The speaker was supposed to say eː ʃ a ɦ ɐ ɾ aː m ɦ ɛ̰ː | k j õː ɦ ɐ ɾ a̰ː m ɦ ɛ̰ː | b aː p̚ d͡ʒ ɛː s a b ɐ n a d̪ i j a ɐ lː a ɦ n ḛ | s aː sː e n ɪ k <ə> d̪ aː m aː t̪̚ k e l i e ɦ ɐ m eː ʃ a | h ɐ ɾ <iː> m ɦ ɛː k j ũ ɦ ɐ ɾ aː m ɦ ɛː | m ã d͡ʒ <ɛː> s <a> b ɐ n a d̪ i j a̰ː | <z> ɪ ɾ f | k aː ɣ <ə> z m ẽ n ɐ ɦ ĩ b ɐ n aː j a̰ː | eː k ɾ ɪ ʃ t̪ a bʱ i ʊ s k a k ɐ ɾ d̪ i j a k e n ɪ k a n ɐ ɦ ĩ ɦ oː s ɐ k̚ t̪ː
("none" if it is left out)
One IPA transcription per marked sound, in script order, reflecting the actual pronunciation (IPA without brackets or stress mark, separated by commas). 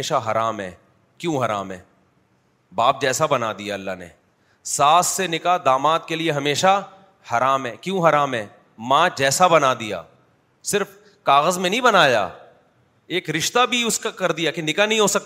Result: a, aː, ɛː, a, s, ə